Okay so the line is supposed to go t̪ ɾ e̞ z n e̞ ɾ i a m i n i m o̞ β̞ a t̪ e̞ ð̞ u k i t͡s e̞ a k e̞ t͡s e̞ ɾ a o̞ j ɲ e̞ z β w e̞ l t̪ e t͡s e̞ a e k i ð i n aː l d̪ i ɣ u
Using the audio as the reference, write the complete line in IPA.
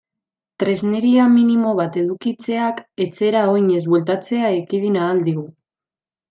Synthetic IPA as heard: t̪ ɾ e̞ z n e̞ ɾ i a m i n i m o̞ β̞ a t̪ e̞ ð̞ u k i t͡s e̞ a k e̞ t͡s e̞ ɾ a o̞ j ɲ e̞ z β w e̞ l t̪ a t͡s e̞ a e k i ð i n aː l d̪ i ɣ u